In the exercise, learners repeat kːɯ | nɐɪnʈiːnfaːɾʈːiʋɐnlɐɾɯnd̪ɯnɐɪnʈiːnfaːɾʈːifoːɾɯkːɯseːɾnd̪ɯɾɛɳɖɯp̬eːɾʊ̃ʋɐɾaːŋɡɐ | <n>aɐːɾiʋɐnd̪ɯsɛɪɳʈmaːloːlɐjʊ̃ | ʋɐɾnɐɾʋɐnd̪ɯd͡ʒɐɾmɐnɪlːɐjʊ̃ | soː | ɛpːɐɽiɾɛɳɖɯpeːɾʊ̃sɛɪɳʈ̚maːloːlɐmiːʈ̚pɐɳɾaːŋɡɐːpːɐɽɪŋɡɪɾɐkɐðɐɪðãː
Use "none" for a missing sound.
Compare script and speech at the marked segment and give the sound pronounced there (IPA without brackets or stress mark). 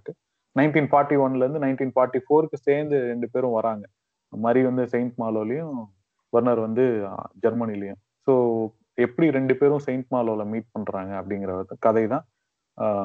m